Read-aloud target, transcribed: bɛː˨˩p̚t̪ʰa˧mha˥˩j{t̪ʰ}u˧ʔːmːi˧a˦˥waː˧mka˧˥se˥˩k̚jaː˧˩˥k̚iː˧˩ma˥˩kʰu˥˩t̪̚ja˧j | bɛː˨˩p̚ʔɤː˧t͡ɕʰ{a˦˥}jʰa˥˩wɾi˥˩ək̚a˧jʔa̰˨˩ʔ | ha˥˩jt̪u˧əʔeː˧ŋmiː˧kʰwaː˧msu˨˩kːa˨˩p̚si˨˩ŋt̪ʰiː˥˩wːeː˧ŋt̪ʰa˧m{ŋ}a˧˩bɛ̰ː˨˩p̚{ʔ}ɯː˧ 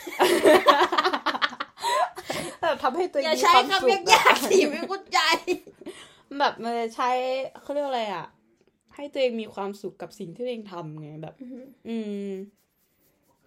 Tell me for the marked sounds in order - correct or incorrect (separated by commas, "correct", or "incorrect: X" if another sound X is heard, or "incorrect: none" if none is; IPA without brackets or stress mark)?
incorrect: t̪, correct, correct, correct